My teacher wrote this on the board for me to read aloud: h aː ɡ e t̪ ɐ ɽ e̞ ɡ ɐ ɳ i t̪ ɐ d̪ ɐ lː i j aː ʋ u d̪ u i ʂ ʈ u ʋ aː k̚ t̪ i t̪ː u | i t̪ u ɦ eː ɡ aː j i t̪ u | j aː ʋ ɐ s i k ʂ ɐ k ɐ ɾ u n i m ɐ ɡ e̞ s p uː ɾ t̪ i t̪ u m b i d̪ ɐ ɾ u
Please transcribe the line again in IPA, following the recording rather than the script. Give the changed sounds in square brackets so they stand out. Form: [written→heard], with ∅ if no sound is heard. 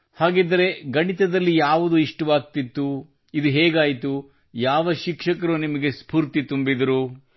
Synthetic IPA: h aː ɡ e [t̪→d̪] ɐ [ɽ→ɾ] e̞ ɡ ɐ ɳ i t̪ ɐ d̪ ɐ lː i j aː ʋ u d̪ u i ʂ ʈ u ʋ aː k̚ t̪ i t̪ː u | i [t̪→d̪] u ɦ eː ɡ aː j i t̪ u | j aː ʋ ɐ [s→ʃ] i k ʂ ɐ k ɐ ɾ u n i m ɐ ɡ e̞ s p uː ɾ t̪ i t̪ u m b i d̪ ɐ ɾ u